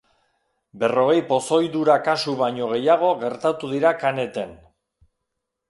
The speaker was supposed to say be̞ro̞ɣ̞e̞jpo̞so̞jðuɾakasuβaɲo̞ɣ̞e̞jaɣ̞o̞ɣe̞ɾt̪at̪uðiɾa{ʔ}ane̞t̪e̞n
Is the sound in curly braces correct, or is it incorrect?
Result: incorrect